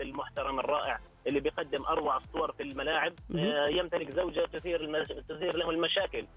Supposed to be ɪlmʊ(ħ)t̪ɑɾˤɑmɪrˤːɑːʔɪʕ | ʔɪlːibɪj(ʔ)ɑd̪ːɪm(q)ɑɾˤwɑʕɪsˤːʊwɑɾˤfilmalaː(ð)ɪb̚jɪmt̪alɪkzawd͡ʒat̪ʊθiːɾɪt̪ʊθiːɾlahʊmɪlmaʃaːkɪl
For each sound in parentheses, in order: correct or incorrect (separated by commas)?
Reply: correct, incorrect, incorrect, incorrect